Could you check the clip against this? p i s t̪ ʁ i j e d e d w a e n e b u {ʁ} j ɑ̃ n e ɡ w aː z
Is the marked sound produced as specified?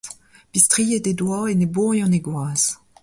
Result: yes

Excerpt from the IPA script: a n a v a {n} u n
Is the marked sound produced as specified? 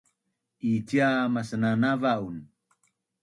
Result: no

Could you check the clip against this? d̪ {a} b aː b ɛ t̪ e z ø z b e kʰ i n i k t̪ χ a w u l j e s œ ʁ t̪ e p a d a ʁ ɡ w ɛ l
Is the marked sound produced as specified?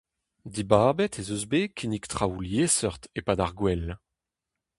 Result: no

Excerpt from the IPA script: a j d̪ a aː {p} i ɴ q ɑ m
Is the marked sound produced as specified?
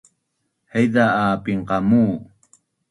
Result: yes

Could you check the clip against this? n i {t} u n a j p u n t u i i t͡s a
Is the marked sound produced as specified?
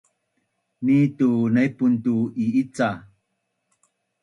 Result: yes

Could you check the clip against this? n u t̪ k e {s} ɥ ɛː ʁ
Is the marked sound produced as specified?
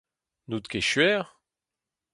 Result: no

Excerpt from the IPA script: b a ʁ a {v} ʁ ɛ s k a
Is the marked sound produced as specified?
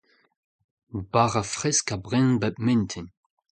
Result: no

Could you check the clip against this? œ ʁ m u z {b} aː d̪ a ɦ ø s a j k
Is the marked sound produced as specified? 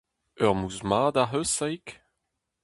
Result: no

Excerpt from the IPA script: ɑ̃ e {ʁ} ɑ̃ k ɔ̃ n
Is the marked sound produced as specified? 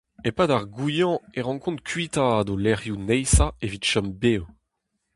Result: yes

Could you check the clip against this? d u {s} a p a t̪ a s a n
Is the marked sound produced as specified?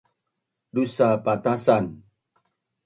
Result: yes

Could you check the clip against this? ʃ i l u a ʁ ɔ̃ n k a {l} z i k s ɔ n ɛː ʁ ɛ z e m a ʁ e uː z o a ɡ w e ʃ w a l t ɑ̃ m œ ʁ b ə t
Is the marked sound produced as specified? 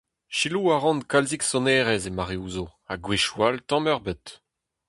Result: yes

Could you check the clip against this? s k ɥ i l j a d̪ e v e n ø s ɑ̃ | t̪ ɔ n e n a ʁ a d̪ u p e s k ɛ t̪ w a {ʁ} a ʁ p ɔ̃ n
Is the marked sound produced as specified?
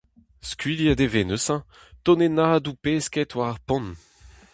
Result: yes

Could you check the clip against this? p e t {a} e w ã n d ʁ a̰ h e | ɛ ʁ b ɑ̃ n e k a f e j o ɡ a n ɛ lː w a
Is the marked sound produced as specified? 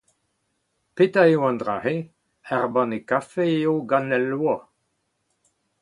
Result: yes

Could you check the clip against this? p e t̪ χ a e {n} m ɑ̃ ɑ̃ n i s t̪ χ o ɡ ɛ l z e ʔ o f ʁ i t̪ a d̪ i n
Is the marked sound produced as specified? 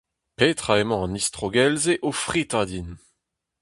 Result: no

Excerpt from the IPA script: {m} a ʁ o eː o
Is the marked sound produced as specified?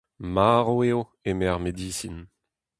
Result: yes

